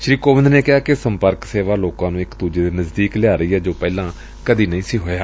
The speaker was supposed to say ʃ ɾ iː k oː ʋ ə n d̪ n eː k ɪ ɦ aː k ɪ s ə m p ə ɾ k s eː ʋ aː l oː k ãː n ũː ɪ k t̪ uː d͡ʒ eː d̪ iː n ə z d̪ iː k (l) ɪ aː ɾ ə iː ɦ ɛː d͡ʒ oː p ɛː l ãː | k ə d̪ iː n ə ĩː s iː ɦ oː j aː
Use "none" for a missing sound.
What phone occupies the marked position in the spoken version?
l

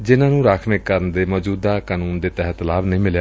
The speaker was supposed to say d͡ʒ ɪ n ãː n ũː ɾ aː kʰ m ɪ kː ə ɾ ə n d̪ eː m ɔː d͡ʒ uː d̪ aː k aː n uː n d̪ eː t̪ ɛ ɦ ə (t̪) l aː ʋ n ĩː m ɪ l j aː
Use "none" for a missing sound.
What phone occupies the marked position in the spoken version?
t̪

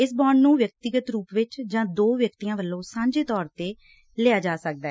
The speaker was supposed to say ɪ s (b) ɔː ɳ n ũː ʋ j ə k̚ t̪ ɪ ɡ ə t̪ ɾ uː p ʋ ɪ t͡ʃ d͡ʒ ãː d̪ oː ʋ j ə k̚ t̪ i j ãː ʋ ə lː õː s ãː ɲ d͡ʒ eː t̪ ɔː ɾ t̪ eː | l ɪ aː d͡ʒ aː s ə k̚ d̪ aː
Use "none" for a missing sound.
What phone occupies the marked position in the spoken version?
b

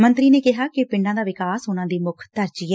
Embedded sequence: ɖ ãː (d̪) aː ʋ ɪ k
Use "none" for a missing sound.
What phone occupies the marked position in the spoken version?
d̪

